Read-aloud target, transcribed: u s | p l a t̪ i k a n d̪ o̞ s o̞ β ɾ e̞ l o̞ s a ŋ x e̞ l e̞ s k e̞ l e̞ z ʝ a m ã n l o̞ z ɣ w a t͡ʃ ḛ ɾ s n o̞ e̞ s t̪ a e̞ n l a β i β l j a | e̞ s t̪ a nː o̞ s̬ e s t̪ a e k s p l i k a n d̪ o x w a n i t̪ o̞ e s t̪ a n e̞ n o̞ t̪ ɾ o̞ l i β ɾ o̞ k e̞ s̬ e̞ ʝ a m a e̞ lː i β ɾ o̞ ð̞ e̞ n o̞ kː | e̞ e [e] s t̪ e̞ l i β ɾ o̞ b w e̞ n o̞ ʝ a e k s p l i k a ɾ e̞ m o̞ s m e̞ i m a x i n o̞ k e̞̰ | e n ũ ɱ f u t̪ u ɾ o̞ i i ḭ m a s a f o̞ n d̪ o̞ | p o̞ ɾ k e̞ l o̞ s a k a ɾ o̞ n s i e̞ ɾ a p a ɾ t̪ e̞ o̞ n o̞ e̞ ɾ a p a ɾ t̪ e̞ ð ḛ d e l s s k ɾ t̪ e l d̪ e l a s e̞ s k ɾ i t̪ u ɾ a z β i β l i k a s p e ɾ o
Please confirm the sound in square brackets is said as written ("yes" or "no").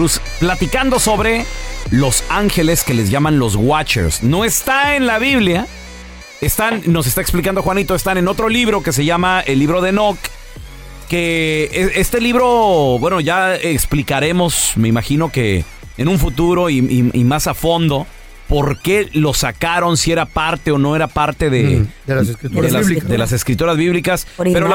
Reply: yes